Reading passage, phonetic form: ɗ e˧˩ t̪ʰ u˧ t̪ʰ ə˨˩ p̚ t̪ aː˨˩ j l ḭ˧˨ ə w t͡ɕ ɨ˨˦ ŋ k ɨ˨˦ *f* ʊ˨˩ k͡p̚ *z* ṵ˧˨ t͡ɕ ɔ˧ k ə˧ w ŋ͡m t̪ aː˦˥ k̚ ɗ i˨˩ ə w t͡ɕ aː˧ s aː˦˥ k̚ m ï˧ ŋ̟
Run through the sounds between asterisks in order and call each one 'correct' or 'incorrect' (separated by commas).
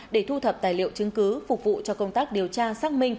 correct, incorrect